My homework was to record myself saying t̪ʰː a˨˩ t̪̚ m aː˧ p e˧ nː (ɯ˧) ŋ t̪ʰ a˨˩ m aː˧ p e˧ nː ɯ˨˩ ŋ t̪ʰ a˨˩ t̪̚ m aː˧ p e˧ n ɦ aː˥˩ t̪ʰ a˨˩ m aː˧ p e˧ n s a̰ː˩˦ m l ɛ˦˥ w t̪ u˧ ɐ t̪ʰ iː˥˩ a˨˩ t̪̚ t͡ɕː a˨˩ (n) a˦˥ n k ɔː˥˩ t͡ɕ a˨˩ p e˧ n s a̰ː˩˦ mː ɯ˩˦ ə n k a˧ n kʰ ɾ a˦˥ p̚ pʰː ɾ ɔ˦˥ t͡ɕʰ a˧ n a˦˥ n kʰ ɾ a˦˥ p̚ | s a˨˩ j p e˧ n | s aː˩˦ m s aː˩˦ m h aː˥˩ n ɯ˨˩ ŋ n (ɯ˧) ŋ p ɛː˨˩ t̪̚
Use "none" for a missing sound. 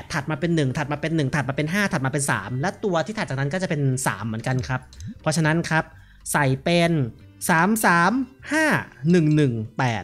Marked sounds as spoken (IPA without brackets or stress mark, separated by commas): ɯ˨˩, n, ɯ˨˩